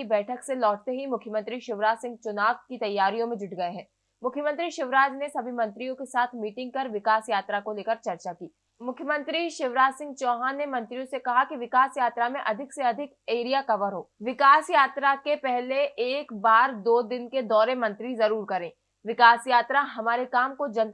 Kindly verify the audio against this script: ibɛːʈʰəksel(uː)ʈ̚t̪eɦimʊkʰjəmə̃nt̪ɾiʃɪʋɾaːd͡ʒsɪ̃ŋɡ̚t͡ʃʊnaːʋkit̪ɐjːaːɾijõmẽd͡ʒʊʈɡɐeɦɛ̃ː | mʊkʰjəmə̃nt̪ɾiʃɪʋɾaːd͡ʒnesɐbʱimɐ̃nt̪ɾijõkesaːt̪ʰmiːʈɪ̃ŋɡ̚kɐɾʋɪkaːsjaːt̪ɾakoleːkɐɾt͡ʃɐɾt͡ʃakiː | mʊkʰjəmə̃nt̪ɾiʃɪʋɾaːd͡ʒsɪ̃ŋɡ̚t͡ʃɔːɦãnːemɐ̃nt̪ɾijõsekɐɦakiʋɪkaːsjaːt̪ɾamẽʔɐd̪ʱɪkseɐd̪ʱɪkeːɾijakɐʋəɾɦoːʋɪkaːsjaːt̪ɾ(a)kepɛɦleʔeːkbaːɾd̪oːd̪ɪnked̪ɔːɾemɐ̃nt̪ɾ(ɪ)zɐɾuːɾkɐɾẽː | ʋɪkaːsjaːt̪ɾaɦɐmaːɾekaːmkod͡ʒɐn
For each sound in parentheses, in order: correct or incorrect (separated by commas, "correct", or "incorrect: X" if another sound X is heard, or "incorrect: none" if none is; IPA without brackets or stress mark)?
incorrect: ɔː, correct, incorrect: i